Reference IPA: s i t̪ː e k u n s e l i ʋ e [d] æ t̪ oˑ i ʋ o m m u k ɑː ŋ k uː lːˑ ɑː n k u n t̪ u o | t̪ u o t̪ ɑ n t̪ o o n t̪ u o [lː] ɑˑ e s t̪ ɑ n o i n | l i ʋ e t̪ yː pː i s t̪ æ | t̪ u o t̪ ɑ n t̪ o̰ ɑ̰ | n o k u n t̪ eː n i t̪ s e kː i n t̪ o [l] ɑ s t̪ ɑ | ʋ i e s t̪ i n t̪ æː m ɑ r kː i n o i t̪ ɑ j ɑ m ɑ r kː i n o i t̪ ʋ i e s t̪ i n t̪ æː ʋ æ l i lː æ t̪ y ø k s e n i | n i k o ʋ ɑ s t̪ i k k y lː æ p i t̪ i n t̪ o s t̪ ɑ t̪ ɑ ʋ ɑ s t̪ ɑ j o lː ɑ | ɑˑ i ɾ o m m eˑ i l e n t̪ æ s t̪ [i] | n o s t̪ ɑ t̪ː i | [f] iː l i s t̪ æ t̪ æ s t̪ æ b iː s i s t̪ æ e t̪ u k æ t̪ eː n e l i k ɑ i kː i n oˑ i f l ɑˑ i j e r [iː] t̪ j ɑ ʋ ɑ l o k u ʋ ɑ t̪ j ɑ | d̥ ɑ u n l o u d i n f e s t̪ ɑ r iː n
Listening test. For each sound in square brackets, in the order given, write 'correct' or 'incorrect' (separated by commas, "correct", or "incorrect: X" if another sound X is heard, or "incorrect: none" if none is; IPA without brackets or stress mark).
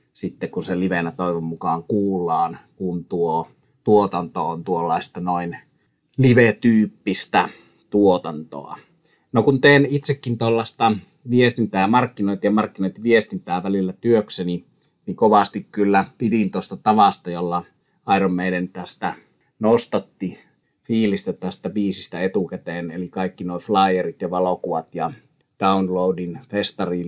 incorrect: n, correct, incorrect: lː, incorrect: æ, correct, incorrect: i